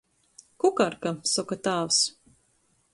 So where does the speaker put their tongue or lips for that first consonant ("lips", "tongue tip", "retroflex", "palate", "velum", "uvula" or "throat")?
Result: velum